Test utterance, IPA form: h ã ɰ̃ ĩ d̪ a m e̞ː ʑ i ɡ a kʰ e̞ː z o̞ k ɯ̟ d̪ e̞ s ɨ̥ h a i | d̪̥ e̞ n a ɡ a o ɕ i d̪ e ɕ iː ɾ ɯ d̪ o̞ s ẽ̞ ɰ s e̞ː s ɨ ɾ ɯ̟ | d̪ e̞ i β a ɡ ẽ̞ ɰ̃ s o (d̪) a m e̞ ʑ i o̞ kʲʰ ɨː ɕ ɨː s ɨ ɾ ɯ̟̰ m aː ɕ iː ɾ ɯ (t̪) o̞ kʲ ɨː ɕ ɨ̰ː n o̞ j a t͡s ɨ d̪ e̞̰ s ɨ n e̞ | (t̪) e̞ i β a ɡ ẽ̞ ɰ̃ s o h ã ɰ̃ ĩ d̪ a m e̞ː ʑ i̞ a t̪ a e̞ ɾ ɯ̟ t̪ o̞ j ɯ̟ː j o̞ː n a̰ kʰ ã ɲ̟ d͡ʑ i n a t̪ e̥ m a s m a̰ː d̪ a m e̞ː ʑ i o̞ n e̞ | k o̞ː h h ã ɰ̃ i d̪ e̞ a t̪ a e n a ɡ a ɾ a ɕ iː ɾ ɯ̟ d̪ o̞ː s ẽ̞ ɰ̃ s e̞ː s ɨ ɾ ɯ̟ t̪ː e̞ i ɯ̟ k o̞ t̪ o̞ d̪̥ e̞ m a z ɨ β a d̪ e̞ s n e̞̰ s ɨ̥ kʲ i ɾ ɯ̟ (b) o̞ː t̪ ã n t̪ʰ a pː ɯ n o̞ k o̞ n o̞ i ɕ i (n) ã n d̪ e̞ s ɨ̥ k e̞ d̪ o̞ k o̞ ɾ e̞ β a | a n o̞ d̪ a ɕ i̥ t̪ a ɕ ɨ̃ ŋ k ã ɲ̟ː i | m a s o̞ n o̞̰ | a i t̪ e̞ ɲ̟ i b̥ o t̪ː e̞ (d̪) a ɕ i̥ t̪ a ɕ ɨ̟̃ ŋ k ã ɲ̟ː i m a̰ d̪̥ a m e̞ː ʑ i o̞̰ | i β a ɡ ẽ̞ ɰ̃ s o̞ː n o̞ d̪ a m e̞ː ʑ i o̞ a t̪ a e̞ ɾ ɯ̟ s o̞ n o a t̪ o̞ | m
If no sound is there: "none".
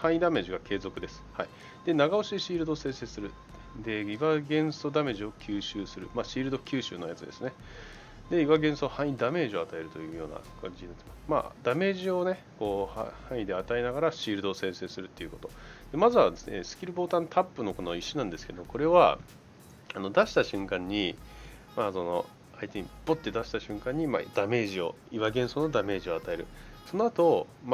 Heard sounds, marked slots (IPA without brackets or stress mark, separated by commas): d̪, d̪, d̪, b, n, d̪